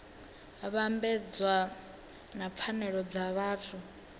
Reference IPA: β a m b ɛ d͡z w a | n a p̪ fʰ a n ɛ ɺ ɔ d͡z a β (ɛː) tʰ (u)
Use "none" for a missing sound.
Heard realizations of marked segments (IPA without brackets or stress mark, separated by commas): aː, u